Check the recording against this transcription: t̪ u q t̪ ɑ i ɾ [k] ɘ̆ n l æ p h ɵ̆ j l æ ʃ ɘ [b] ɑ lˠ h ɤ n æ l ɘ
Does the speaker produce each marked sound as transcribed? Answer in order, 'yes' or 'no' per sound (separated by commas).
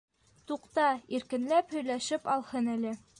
yes, no